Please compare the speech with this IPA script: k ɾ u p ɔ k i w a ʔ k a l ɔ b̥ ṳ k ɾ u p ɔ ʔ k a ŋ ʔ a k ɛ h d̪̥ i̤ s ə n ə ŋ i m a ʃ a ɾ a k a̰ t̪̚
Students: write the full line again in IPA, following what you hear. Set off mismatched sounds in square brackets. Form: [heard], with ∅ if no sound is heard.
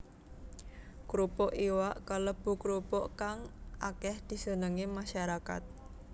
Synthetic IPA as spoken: k ɾ u p ɔ [ʔ] i w a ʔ k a l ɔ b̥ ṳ k ɾ u p ɔ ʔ k a ŋ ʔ a k ɛ h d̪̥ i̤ s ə n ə ŋ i m a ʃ a ɾ a k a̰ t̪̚